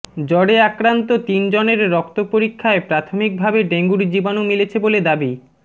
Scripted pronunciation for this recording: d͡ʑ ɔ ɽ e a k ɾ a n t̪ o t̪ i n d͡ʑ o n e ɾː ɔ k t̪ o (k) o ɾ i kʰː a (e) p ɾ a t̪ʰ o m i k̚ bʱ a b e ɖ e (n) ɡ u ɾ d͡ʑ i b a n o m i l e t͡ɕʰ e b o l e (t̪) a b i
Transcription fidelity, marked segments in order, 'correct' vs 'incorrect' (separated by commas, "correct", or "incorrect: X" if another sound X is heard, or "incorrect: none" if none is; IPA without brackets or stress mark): incorrect: p, correct, incorrect: ŋ, incorrect: d̪